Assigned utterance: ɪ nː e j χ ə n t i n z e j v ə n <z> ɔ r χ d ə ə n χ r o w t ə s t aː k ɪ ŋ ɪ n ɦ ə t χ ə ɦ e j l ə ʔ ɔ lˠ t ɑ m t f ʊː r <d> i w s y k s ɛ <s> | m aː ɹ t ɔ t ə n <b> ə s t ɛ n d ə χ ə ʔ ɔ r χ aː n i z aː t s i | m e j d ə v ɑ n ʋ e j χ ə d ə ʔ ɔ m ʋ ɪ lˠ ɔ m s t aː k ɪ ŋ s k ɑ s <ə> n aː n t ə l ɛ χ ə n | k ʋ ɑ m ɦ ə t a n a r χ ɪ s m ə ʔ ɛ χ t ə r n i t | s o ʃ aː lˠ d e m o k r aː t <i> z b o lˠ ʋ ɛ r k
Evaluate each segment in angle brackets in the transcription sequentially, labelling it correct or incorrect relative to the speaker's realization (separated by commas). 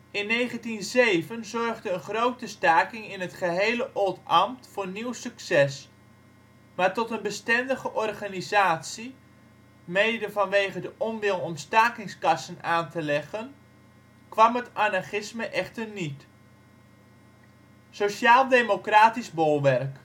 correct, incorrect, correct, correct, correct, correct